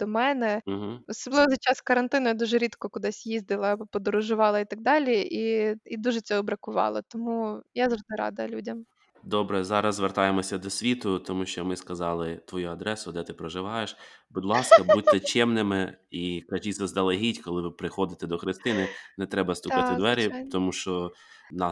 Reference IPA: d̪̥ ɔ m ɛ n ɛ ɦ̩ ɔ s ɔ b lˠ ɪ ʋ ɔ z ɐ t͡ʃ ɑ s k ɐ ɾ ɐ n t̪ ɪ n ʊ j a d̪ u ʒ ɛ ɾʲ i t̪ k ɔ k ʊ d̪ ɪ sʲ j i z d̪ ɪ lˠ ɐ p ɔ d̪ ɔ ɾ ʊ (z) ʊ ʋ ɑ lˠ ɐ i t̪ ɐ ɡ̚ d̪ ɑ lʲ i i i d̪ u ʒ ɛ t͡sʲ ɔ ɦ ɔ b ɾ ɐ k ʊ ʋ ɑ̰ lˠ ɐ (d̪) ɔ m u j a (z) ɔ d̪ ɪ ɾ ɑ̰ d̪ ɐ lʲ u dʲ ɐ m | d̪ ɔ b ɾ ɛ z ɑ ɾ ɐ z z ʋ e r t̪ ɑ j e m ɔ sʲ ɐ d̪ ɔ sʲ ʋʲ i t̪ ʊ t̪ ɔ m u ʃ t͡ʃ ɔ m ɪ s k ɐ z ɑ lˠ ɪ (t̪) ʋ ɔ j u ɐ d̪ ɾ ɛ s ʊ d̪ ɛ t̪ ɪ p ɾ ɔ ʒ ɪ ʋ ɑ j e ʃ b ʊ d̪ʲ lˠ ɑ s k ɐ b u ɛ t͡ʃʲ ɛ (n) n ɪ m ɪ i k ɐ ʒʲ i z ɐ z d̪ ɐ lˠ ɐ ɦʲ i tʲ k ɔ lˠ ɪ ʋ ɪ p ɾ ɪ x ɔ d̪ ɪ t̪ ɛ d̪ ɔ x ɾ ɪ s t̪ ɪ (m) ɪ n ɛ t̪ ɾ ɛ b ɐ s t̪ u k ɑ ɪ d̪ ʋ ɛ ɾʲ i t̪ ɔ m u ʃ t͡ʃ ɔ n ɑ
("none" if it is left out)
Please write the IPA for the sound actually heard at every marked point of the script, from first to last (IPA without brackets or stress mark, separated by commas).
ʒ, t̪, z, t̪, m, n